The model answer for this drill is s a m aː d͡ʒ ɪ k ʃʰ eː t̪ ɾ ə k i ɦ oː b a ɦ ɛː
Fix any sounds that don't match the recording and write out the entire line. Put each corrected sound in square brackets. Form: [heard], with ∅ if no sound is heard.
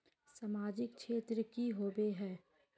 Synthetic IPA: s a m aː d͡ʒ ɪ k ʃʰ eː t̪ ɾ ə k i ɦ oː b [e] ɦ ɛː